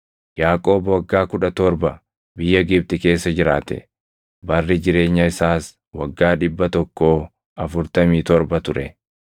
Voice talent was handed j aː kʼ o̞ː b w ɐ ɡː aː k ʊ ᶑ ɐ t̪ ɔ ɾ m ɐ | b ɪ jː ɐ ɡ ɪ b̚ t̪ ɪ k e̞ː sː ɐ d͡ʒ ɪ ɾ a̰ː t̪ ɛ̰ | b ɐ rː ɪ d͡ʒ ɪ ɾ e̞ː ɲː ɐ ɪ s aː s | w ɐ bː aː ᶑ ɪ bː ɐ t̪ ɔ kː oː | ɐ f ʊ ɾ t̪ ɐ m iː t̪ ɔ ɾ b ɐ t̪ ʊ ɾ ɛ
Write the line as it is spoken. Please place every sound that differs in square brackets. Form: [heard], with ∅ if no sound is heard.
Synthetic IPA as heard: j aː kʼ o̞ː b w ɐ ɡː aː k ʊ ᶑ ɐ t̪ ɔ ɾ [b] ɐ | b ɪ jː ɐ ɡ ɪ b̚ t̪ ɪ k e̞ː sː ɐ d͡ʒ ɪ ɾ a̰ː t̪ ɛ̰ | b ɐ rː ɪ d͡ʒ ɪ ɾ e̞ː ɲː ɐ ɪ s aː s | w ɐ [ɡː] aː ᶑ ɪ bː ɐ t̪ ɔ kː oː | ɐ f ʊ ɾ t̪ ɐ m iː t̪ ɔ ɾ b ɐ t̪ ʊ ɾ ɛ